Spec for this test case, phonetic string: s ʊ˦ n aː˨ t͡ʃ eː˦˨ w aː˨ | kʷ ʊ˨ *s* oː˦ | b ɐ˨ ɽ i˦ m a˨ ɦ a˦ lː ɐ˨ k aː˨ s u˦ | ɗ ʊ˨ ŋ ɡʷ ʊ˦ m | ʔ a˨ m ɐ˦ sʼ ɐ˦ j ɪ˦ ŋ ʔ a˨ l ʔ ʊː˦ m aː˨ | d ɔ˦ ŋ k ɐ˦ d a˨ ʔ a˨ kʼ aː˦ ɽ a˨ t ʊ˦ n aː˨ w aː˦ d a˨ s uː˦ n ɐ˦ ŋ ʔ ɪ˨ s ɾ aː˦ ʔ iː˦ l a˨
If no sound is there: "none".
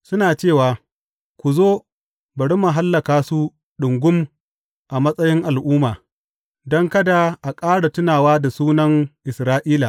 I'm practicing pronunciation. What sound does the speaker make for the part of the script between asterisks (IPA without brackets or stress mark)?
z